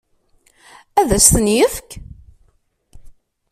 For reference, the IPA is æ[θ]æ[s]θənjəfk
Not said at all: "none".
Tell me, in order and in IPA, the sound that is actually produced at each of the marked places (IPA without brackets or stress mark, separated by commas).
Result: ð, s